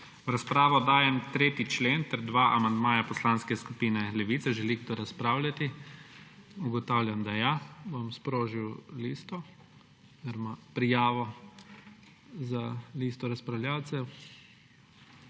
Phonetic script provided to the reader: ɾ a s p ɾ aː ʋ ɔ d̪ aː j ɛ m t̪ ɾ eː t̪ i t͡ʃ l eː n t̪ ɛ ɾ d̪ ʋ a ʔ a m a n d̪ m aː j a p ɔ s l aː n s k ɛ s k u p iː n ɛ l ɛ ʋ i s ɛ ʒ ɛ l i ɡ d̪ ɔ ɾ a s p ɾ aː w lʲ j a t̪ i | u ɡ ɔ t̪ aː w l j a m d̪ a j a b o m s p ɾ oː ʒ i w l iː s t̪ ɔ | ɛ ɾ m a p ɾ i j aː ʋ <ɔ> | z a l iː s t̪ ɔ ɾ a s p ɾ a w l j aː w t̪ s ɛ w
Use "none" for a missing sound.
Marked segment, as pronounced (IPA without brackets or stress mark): ɔ